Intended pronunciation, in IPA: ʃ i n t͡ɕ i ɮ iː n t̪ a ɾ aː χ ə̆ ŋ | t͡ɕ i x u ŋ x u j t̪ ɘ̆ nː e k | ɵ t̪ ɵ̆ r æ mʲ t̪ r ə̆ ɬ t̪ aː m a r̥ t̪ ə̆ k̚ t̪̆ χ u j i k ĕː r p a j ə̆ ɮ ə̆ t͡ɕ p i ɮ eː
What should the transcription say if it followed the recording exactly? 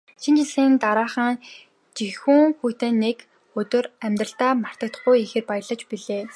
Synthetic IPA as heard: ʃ i n t͡ɕ i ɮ iː n t̪ a ɾ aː χ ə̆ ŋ | t͡ɕ i x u ŋ x u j t̪ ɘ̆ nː e k | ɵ t̪ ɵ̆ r æ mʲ t̪ r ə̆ ɬ t̪ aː m a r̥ t̪ ə̆ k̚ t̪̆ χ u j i x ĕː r p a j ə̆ ɮ ə̆ t͡ɕ p i ɮ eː